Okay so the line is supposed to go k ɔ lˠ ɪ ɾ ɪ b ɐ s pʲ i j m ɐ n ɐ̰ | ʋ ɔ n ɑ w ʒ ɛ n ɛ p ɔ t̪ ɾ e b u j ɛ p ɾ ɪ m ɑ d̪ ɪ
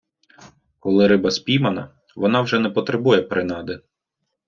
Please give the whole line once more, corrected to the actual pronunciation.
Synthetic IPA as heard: k ɔ lˠ ɪ ɾ ɪ b ɐ s pʲ i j m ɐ n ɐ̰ | ʋ ɔ n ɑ w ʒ ɛ n ɛ p ɔ t̪ ɾ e b u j ɛ p ɾ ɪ n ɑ d̪ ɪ